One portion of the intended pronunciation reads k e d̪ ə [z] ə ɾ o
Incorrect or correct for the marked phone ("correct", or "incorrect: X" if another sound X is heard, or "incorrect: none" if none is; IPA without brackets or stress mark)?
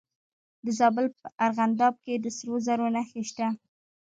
incorrect: s